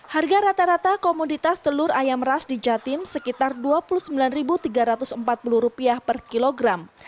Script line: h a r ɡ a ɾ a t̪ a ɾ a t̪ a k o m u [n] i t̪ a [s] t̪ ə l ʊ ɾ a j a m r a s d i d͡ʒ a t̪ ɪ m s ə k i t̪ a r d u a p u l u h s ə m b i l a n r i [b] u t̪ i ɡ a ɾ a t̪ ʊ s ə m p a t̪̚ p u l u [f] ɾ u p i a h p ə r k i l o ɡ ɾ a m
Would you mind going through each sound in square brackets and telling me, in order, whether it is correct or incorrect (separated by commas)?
incorrect, correct, correct, incorrect